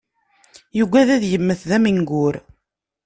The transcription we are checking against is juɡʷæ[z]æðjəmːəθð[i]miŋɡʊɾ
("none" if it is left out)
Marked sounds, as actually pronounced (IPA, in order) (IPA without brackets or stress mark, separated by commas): ð, æ